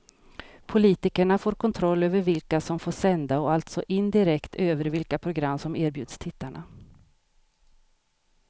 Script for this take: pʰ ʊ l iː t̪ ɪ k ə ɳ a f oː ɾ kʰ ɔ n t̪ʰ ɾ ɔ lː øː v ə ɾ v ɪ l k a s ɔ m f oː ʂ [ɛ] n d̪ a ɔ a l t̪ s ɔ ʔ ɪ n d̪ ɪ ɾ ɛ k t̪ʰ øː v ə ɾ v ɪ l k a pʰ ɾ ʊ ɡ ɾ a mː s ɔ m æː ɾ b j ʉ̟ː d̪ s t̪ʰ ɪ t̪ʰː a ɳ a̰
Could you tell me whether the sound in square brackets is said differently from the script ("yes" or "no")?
no